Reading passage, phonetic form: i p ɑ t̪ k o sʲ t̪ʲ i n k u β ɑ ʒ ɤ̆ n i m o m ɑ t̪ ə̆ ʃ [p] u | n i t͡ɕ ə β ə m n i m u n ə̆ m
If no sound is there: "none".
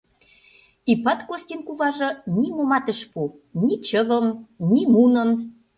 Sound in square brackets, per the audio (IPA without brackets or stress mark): p